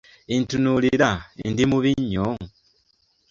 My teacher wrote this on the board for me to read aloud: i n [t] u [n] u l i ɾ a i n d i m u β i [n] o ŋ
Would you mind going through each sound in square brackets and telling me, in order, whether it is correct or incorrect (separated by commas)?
correct, correct, incorrect